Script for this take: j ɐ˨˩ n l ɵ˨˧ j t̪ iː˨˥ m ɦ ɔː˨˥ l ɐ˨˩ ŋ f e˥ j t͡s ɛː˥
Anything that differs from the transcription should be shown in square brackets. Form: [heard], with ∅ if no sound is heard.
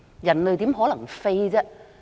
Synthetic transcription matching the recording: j ɐ˨˩ n l ɵ˨˧ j t̪ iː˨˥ m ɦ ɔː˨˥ l ɐ˨˩ ŋ f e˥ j t͡s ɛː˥